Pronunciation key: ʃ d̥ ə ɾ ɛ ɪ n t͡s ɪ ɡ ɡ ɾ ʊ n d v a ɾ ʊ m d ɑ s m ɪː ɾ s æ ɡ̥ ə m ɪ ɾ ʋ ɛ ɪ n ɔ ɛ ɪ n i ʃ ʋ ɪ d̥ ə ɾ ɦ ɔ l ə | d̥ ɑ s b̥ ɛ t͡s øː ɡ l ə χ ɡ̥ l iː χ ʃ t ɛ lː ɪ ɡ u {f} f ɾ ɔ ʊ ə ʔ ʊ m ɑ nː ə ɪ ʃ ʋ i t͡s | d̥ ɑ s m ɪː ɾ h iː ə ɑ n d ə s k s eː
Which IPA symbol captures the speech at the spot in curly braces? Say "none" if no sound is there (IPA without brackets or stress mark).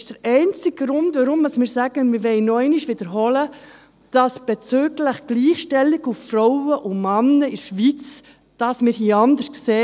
f